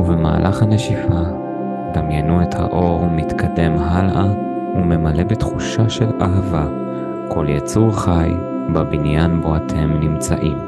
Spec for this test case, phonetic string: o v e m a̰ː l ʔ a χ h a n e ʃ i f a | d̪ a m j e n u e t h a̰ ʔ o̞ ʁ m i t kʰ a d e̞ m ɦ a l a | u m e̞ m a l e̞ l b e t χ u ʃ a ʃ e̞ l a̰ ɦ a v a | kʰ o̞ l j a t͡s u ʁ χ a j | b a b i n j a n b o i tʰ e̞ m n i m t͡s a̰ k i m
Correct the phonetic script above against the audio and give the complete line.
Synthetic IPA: u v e m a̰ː l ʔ a χ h a n e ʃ i f a | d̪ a m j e n u e t h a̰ ʔ o̞ ʁ m i t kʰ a d e̞ m ɦ a l a | u m e̞ m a l e̞ b e t χ u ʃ a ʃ e̞ l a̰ ɦ a v a | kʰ o̞ l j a t͡s u ʁ χ a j | b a b i n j a n b o a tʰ e̞ m n i m t͡s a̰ ʔ i m